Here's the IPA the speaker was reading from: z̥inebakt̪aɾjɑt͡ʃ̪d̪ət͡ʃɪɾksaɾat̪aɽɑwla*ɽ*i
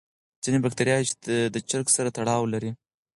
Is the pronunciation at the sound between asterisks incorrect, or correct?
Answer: incorrect